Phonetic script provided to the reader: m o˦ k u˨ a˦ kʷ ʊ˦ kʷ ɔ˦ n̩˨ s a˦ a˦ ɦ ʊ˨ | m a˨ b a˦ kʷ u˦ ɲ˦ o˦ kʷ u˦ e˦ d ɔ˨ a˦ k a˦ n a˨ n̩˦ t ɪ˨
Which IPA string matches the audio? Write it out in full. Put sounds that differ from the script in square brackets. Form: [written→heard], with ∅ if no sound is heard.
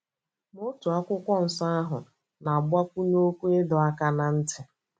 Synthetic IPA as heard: m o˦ [k→t] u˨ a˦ kʷ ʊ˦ kʷ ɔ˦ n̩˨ s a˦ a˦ ɦ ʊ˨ | [m→n] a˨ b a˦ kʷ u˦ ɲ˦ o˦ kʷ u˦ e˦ d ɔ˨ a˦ k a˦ n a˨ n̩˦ t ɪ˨